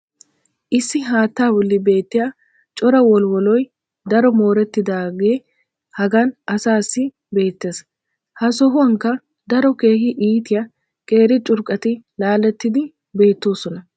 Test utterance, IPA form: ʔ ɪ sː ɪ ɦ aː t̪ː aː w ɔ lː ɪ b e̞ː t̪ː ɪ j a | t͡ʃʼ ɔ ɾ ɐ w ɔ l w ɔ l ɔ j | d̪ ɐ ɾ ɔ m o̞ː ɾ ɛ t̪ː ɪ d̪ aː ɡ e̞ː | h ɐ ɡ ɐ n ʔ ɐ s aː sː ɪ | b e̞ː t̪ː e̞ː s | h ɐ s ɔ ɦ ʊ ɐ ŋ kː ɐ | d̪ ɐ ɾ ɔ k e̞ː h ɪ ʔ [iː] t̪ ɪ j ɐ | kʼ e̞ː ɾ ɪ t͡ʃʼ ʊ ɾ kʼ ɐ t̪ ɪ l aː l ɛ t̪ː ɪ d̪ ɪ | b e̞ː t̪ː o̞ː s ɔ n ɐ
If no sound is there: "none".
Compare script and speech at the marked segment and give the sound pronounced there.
iː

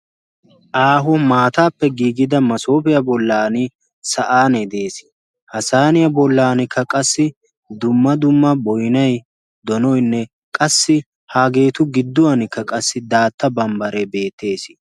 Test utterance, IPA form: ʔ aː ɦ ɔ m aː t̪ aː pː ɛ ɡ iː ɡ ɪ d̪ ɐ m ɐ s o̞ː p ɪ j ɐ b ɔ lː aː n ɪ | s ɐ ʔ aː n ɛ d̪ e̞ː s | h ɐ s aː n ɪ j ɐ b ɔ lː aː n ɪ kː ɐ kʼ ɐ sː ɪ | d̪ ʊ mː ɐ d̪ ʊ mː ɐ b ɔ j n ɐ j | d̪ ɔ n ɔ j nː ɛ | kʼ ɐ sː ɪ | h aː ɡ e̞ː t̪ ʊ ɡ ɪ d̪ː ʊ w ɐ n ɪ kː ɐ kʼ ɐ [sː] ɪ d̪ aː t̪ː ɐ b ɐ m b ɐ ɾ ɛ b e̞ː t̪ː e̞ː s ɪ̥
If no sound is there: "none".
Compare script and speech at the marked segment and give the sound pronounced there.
sː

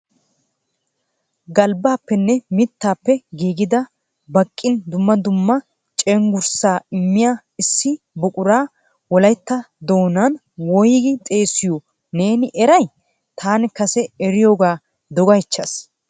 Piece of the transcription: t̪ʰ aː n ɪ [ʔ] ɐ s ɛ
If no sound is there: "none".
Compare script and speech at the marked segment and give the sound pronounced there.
k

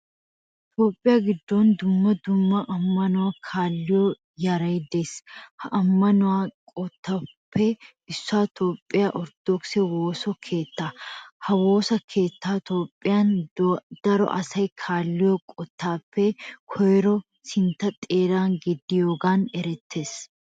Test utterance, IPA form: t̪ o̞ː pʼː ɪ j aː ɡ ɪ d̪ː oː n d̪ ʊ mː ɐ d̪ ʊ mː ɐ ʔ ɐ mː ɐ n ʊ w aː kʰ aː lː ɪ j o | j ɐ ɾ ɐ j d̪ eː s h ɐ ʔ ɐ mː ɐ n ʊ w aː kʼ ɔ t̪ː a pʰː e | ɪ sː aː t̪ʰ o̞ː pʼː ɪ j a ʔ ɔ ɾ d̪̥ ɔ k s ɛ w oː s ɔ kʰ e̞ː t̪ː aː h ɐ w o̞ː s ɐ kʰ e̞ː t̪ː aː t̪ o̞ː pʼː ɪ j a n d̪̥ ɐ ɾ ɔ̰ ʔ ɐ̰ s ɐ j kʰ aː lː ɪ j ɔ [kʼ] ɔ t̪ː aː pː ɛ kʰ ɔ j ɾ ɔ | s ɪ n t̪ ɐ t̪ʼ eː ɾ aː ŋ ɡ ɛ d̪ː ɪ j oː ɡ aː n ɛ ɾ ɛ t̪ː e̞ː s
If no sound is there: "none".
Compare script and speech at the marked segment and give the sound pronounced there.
kʼ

